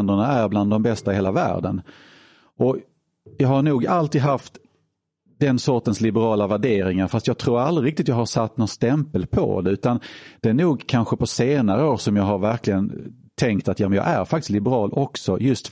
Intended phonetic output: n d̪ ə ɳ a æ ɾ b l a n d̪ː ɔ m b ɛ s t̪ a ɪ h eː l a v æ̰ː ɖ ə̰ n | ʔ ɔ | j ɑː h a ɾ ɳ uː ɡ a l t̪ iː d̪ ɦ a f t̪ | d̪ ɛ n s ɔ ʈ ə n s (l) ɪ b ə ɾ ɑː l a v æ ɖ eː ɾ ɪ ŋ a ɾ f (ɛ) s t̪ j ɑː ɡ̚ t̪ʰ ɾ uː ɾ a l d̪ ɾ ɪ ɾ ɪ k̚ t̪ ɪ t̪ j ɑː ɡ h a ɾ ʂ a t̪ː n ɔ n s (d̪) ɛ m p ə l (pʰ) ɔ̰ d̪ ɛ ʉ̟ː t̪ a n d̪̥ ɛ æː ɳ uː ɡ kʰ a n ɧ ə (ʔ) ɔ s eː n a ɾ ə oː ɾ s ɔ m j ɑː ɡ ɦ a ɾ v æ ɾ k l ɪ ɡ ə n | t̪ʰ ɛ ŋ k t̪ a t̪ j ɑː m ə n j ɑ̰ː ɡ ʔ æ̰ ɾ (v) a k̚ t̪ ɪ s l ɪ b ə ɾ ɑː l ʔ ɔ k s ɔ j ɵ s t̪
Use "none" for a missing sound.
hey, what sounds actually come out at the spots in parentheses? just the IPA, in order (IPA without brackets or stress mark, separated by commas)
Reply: l, a, t̪, pʰ, p, f